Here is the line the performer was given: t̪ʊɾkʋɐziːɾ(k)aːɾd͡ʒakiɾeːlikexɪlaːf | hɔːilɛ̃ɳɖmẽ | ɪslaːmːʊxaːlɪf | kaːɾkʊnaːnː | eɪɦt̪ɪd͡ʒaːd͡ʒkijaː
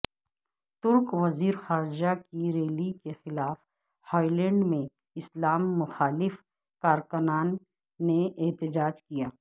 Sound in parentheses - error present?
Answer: yes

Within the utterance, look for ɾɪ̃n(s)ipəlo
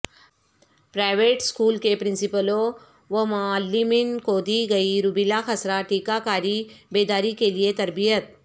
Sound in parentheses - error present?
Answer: no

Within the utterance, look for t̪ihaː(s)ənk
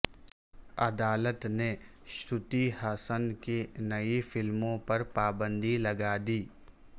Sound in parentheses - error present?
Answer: no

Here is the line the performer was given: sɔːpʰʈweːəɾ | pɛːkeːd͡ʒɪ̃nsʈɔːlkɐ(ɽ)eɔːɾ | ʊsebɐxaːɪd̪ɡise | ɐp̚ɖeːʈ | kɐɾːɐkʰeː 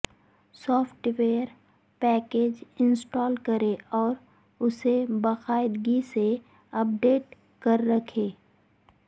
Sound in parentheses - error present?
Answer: yes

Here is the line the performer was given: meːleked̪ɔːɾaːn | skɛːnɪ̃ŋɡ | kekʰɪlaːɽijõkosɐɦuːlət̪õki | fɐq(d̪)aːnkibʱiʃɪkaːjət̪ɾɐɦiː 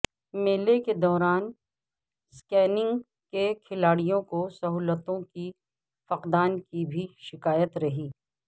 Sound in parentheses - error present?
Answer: no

